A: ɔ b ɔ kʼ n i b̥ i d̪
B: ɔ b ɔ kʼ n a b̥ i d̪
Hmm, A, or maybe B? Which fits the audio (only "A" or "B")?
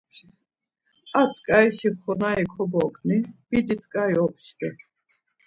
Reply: A